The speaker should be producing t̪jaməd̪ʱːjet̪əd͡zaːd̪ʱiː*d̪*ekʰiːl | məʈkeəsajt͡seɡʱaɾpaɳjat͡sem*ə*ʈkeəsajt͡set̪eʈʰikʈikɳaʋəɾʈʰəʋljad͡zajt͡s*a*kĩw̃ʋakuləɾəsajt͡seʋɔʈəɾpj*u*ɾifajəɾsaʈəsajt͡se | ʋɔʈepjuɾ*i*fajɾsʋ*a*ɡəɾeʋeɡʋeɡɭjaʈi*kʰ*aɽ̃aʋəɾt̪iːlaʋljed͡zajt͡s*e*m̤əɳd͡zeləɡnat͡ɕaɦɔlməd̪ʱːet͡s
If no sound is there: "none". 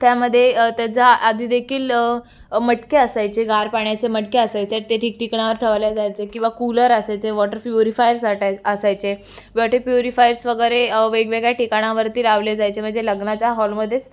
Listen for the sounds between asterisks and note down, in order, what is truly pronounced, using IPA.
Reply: d̪, ə, e, u, i, ə, k, e

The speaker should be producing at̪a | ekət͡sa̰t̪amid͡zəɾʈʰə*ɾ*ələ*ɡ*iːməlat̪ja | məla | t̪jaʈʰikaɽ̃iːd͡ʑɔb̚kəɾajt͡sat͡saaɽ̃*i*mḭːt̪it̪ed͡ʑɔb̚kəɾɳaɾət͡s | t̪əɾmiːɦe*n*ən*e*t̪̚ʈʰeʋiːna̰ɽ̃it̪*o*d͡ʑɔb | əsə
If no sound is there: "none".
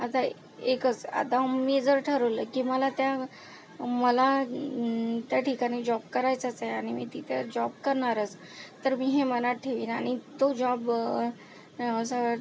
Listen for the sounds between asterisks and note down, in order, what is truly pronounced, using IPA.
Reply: ɾ, k, i, m, a, o

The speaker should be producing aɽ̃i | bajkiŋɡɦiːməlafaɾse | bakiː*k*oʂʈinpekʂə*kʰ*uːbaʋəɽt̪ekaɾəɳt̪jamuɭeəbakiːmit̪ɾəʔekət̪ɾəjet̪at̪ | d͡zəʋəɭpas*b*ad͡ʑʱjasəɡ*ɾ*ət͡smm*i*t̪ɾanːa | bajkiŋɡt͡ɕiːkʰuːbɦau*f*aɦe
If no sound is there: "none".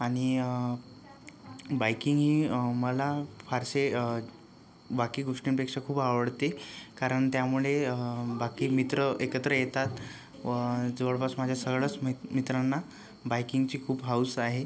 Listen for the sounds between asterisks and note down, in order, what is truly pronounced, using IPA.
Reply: ɡ, kʰ, m, ɭ, i, s

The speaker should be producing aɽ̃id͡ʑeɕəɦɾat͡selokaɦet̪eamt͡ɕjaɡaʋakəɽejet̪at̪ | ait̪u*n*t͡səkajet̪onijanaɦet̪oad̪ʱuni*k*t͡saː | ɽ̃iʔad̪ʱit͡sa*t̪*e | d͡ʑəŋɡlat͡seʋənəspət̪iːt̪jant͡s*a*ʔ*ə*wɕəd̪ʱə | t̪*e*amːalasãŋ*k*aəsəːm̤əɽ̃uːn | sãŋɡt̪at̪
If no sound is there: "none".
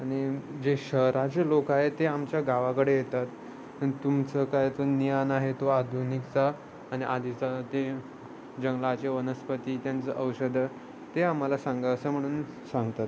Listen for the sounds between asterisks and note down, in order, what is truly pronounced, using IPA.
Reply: m, k, t̪, ə, ə, e, ɡ

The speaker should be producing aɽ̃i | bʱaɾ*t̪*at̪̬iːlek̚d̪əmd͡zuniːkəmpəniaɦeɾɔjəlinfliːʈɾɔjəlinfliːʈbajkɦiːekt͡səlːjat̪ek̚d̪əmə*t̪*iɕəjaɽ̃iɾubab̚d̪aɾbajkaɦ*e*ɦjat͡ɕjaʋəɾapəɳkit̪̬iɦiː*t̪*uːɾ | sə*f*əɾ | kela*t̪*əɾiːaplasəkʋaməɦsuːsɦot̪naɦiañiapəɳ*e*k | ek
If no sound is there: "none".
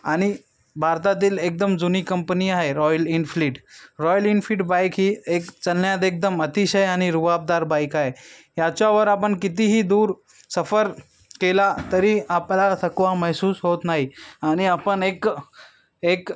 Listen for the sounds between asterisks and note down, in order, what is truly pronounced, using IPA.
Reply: t̪, t̪, e, d̪, f, t̪, e

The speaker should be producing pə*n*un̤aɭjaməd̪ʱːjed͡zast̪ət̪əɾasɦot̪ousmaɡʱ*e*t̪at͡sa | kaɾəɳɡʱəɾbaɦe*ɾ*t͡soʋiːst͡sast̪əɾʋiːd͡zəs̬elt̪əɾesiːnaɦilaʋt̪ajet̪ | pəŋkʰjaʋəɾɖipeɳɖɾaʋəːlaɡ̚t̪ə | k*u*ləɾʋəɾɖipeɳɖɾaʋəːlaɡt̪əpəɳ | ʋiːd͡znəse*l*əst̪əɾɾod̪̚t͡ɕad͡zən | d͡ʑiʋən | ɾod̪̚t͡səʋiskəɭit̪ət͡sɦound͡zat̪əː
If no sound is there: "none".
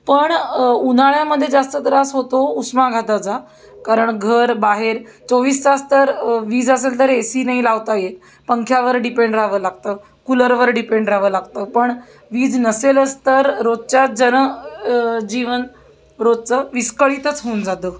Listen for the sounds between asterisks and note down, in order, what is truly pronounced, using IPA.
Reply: ɳ, a, ɾ, u, l

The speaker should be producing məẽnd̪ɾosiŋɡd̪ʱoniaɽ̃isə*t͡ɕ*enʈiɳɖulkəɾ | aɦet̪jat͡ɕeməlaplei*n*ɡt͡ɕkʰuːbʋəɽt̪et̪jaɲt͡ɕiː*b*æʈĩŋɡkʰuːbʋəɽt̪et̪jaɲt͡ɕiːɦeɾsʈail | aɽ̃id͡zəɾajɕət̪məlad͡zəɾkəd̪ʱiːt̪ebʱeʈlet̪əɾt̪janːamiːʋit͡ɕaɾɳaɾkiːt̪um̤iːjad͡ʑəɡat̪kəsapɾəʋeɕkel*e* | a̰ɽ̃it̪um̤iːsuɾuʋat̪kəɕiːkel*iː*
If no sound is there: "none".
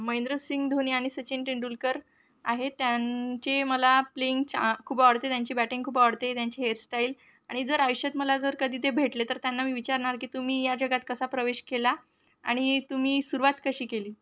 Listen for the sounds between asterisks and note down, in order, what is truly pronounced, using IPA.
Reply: t͡ɕ, ŋ, b, a, iː

